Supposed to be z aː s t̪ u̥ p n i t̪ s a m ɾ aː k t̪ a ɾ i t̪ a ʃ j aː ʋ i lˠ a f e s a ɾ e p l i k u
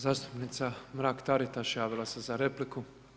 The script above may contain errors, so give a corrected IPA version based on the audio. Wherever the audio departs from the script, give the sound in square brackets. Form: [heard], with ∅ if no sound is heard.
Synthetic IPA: z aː s t̪ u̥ p n i t̪ s a m ɾ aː k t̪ a ɾ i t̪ a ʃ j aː ʋ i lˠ a [s] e [z] a ɾ e p l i k u